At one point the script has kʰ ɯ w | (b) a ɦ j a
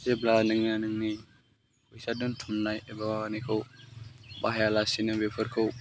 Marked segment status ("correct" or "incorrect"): correct